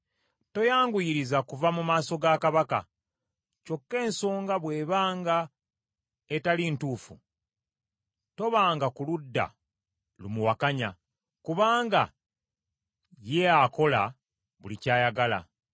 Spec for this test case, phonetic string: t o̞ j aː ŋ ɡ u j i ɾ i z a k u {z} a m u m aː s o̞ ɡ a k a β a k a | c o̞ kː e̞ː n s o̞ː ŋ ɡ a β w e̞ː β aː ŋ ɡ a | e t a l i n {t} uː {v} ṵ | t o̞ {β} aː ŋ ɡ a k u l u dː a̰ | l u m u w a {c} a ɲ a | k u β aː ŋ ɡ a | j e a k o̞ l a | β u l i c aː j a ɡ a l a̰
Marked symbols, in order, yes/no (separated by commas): no, yes, no, yes, no